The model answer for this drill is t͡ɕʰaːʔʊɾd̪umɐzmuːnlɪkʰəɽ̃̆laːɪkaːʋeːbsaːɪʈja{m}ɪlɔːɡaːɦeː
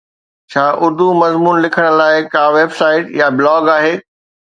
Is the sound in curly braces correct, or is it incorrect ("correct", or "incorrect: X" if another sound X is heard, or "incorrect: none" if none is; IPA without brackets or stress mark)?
incorrect: b